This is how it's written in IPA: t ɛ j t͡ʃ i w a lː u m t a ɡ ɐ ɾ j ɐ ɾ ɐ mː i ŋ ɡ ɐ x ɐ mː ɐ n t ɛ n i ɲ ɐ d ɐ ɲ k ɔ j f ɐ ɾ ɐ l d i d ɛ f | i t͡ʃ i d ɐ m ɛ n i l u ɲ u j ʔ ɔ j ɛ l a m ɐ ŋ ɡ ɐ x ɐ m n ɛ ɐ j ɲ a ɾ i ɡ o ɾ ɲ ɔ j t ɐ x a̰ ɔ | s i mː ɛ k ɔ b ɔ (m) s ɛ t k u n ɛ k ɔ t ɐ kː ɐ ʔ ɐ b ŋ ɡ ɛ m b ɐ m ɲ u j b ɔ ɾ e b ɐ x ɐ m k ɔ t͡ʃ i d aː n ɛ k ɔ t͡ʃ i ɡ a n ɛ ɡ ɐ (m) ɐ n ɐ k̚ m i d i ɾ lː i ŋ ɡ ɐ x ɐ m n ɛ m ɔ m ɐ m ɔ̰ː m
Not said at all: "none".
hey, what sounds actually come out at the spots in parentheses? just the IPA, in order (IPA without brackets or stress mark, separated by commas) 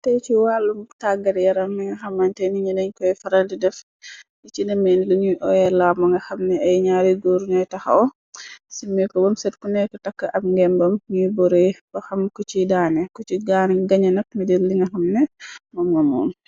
m, ɲ